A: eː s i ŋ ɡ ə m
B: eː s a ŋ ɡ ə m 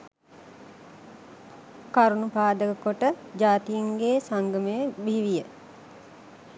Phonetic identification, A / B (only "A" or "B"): B